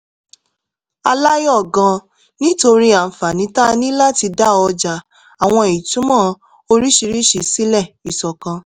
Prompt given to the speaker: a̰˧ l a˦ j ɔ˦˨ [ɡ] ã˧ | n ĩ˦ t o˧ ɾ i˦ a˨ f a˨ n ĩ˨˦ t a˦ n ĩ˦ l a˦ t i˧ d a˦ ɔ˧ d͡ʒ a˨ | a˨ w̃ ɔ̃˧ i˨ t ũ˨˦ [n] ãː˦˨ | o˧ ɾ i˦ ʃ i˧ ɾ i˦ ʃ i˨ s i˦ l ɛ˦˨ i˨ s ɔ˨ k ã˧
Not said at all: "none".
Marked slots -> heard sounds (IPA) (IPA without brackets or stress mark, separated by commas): ɡ, m